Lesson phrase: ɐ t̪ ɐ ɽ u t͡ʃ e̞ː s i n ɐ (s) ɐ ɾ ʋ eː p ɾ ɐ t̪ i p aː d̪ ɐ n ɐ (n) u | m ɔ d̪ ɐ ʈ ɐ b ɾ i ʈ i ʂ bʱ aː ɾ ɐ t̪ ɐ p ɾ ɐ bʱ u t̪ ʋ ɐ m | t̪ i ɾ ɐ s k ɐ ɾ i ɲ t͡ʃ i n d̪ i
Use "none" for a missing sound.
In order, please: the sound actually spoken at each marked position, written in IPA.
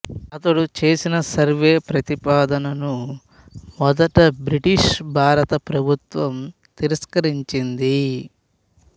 s, n

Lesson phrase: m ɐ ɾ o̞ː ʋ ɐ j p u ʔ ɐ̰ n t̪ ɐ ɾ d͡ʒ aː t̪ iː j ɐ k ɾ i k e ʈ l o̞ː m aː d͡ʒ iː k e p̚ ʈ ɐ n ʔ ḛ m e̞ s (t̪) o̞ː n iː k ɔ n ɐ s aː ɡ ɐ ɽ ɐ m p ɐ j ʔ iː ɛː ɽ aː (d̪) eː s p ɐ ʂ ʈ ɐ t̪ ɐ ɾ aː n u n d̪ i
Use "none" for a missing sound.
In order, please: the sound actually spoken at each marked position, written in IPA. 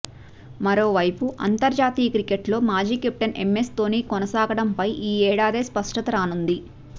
t̪, d̪

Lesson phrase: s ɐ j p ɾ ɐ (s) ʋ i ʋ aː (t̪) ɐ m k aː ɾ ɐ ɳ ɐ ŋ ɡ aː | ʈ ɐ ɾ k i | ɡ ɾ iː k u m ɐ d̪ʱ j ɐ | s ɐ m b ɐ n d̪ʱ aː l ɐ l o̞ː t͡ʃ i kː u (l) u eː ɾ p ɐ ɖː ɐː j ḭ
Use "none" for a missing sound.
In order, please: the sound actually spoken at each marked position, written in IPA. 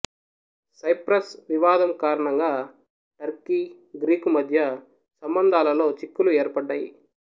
s, d̪, l

